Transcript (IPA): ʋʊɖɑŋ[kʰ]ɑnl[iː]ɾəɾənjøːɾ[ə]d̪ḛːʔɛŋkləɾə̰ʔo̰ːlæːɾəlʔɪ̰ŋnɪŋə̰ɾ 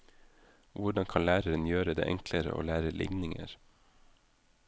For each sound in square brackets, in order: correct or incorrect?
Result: correct, incorrect: æː, correct

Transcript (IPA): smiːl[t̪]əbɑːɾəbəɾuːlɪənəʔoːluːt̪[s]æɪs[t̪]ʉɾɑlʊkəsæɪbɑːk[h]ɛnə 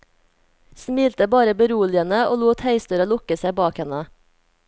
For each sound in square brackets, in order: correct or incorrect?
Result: correct, incorrect: h, correct, correct

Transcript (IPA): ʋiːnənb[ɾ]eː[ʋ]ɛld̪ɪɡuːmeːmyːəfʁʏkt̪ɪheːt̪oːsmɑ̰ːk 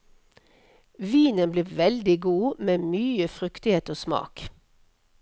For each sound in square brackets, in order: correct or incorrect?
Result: incorrect: l, correct

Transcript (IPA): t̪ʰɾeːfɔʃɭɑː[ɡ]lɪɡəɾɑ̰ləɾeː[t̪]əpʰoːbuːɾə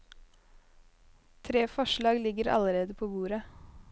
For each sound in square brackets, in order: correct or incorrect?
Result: correct, incorrect: d̪

